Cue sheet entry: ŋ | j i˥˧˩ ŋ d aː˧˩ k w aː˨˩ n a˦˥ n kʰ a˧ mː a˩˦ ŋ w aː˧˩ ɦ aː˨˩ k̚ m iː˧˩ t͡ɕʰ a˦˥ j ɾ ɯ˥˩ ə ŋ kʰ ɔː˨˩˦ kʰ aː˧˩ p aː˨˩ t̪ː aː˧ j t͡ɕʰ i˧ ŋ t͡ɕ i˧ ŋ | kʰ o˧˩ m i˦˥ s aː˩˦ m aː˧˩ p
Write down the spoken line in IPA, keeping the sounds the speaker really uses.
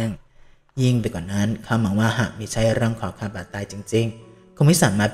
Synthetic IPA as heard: ŋ | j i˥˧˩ ŋ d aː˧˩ k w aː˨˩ n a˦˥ n kʰ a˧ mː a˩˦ ŋ w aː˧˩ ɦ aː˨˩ k̚ m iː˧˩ t͡ɕʰ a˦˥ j ɾ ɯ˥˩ ə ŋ kʰ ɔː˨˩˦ kʰ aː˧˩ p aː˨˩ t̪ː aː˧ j t͡ɕ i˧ ŋ t͡ɕ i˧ ŋ | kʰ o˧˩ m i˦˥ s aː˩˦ m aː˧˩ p